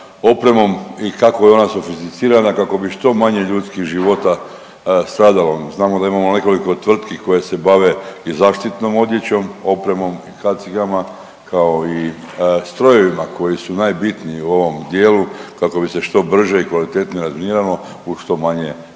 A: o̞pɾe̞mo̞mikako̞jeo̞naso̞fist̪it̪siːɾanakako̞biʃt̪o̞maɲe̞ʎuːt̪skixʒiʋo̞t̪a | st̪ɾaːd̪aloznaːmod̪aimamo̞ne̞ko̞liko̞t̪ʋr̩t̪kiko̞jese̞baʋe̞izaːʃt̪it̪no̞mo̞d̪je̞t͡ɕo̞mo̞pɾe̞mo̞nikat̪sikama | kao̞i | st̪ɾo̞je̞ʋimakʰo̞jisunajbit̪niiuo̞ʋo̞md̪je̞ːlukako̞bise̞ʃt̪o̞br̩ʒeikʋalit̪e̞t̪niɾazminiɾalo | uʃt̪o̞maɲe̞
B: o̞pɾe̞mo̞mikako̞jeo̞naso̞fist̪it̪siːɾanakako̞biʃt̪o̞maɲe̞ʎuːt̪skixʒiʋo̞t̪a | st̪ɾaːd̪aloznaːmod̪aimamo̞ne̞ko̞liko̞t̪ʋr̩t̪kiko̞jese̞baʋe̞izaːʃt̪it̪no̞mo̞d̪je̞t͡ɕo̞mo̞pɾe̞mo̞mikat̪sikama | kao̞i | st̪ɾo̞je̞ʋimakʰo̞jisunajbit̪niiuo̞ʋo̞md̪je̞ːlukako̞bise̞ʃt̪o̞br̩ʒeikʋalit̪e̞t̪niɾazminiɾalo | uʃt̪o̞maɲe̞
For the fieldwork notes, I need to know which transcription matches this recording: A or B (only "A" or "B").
B